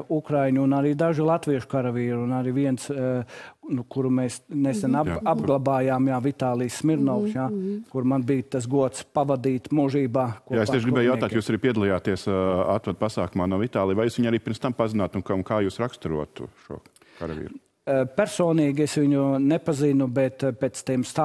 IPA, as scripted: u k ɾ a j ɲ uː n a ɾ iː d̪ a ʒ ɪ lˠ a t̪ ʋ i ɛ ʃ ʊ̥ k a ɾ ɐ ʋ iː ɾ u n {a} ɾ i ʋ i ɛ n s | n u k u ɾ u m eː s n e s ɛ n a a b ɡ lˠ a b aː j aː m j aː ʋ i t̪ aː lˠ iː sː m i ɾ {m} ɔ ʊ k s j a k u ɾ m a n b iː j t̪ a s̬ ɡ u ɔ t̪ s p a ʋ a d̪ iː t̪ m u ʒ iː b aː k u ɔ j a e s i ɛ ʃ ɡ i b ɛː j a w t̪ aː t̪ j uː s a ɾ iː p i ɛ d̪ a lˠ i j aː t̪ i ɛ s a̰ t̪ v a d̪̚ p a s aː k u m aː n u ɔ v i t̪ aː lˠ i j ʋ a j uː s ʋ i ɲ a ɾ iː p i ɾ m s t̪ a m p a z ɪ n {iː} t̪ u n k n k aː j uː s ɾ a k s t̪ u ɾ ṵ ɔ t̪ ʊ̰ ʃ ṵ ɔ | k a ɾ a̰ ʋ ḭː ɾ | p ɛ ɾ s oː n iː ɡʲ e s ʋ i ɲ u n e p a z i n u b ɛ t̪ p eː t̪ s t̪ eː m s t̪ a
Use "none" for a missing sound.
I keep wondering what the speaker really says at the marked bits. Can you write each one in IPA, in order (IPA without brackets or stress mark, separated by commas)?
a, n, aː